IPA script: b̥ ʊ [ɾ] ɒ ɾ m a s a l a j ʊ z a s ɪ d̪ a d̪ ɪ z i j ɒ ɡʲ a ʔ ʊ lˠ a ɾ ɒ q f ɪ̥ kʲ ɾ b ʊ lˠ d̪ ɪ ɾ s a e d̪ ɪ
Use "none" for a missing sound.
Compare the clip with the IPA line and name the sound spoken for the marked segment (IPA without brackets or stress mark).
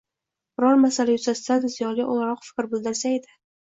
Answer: ɾ